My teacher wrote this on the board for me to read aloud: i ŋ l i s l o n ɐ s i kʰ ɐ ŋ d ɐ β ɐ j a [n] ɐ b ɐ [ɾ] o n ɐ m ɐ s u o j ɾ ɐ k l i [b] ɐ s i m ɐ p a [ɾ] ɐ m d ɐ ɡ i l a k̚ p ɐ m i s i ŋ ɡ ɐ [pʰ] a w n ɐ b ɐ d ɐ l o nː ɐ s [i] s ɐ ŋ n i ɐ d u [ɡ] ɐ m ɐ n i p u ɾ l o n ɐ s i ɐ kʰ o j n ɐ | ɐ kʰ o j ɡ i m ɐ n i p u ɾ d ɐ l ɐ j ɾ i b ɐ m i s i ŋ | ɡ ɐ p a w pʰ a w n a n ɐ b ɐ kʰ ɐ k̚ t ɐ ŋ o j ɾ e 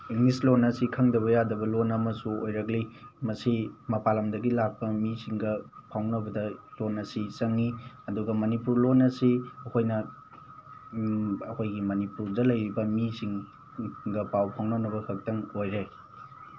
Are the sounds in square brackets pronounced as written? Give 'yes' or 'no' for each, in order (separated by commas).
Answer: no, no, no, no, yes, yes, yes